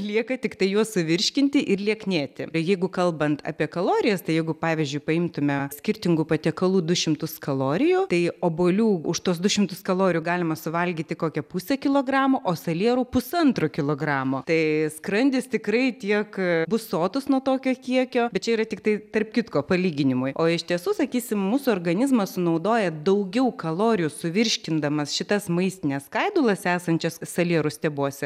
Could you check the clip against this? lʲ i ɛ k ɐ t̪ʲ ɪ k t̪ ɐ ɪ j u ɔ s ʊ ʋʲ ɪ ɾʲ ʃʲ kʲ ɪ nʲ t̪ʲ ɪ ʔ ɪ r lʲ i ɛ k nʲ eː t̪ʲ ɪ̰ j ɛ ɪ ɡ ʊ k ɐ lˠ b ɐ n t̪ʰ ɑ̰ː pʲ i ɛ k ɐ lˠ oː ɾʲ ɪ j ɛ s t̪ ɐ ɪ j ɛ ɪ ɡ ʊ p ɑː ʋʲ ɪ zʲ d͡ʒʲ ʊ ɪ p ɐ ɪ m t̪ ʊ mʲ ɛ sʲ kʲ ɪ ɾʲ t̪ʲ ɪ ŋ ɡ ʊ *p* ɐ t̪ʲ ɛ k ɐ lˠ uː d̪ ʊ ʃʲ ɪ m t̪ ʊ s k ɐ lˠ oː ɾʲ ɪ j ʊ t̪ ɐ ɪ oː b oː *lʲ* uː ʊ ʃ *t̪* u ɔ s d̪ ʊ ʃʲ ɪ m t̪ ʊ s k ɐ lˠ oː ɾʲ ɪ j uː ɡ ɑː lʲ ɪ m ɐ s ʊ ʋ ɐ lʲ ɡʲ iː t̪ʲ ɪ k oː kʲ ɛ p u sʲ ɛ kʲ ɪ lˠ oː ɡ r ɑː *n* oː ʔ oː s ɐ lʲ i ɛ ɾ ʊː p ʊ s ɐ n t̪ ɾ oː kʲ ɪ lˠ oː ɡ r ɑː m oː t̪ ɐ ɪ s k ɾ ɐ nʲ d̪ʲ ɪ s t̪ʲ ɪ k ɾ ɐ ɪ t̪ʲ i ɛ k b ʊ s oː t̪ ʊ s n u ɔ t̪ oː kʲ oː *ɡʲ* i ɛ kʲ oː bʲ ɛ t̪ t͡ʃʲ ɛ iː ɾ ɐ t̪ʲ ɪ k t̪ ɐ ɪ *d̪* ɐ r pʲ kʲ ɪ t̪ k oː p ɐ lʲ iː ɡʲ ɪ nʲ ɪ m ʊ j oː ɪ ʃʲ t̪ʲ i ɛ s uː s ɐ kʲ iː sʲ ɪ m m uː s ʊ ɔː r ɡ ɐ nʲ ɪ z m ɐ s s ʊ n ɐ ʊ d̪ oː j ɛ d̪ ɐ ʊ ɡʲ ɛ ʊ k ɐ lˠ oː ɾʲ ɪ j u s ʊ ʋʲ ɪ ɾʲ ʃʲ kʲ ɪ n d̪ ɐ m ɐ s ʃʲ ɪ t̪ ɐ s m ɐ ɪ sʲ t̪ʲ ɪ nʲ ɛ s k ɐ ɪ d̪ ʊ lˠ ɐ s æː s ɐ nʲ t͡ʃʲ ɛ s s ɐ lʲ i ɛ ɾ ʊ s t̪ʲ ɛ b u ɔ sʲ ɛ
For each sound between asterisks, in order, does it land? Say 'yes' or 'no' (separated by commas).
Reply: yes, yes, yes, no, no, no